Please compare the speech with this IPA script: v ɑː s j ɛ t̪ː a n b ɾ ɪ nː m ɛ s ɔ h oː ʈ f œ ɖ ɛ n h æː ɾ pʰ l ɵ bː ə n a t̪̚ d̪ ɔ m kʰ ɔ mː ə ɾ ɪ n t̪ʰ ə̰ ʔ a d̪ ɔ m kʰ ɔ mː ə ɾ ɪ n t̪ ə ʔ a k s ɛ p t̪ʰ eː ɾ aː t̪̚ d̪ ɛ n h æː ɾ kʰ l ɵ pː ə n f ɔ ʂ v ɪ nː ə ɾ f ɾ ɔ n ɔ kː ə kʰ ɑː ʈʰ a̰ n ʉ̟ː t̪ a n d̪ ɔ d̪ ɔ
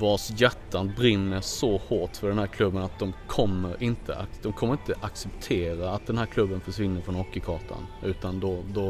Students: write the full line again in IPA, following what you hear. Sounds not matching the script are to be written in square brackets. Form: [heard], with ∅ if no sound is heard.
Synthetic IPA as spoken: v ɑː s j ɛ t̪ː a n b ɾ ɪ nː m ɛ s ɔ h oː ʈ f œ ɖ ɛ n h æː ɾ [kʰ] l ɵ bː ə n a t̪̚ d̪ ɔ m kʰ ɔ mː ə ɾ ɪ n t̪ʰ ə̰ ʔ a d̪ ɔ m kʰ ɔ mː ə ɾ ɪ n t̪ ə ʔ a k s ɛ p t̪ʰ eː ɾ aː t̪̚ d̪ ɛ n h æː ɾ kʰ l ɵ [bː] ə n f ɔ ʂ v ɪ nː ə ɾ f ɾ ɔ n ɔ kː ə kʰ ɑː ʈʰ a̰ n ʉ̟ː t̪ a n d̪ ɔ d̪ ɔ